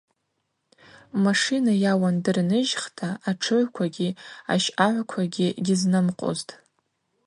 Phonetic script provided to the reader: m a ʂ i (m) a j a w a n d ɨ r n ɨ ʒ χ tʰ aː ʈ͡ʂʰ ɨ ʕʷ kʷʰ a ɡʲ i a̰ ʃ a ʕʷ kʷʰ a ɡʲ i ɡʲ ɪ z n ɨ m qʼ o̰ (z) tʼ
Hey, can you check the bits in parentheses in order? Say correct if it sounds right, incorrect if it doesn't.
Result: incorrect: n, correct

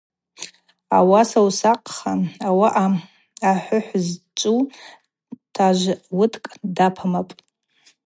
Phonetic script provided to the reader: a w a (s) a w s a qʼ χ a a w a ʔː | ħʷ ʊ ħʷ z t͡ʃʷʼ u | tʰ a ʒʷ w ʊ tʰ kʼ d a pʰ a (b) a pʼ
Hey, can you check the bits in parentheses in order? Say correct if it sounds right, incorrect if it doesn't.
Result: correct, incorrect: m

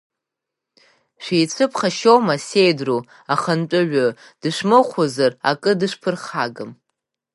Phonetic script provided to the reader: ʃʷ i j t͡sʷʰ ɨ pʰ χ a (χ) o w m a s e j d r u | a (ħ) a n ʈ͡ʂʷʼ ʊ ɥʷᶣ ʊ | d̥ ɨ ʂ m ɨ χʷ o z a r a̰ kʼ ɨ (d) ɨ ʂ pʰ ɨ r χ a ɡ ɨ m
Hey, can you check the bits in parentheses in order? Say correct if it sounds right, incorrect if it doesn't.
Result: incorrect: ʃ, incorrect: χ, correct

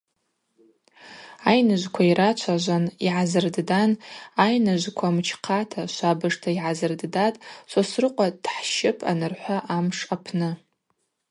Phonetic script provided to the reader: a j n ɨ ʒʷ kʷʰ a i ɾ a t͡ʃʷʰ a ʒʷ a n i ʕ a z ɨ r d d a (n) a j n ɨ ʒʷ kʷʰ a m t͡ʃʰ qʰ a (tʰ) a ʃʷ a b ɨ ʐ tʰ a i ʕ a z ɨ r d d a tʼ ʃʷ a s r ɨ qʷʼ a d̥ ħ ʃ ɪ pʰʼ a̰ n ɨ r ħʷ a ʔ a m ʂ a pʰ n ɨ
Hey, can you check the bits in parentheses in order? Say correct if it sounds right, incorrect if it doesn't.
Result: correct, correct

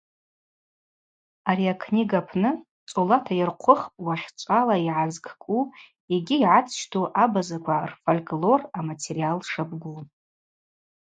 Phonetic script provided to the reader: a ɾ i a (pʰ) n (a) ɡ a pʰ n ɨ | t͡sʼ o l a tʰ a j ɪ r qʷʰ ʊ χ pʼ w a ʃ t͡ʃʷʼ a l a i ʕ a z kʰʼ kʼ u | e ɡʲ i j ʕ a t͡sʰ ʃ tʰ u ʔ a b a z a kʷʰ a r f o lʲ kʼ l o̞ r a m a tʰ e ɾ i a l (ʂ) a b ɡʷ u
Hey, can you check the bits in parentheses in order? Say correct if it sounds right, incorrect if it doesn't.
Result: incorrect: kʰ, incorrect: i, correct

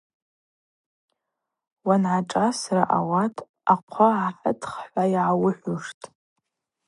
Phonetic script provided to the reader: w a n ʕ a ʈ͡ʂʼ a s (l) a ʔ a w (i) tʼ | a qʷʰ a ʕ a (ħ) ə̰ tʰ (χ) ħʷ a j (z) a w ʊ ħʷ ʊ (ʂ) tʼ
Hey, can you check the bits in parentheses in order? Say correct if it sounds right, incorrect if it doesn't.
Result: incorrect: r, incorrect: a, correct, correct, incorrect: ʕ, correct

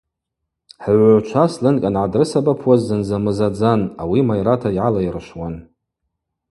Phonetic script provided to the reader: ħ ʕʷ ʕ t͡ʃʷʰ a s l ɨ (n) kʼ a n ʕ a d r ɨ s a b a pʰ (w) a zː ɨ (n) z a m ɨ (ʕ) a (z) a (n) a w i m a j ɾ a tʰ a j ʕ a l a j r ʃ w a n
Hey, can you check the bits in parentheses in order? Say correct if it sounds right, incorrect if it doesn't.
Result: correct, correct, correct, incorrect: z, incorrect: d͡z, correct

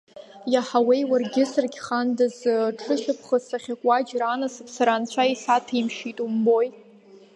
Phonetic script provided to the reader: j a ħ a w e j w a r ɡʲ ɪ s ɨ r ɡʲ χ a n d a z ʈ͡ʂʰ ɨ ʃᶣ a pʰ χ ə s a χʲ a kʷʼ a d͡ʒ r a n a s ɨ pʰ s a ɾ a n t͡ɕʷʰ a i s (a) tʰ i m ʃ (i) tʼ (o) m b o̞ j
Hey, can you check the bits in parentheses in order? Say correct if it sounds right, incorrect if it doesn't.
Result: correct, correct, incorrect: u

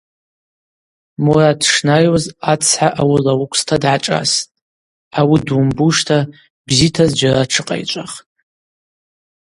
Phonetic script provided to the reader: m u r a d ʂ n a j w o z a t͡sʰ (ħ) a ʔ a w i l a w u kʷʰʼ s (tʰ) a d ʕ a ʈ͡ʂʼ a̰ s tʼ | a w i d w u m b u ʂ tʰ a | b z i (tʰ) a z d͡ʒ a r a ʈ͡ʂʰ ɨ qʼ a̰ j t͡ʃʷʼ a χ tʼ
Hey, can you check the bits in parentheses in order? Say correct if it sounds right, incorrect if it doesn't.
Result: correct, correct, correct

